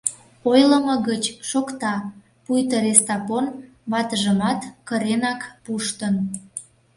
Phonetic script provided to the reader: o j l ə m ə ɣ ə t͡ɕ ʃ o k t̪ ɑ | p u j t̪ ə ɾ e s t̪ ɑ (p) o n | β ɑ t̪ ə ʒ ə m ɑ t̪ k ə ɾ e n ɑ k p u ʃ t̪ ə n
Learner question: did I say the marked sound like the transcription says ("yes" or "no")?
yes